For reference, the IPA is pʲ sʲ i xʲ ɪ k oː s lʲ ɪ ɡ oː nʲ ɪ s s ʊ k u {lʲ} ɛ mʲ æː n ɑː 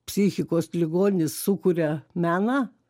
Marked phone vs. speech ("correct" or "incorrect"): incorrect